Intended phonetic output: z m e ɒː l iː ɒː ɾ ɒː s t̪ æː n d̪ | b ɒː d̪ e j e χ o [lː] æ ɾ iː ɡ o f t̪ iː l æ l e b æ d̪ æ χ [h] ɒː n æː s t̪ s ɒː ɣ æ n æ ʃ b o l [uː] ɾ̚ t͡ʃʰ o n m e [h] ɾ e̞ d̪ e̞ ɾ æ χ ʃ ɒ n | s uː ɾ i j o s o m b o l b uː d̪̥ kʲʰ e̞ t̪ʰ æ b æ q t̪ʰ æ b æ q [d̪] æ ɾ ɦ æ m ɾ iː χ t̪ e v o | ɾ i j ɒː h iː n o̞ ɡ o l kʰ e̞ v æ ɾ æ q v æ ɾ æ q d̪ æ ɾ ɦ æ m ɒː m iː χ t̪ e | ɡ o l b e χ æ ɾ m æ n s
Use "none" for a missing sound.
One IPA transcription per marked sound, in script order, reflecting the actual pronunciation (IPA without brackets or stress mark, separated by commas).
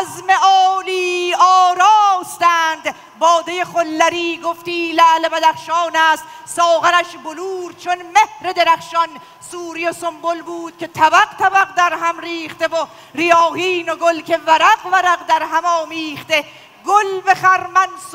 lː, ʃ, uː, h, d̪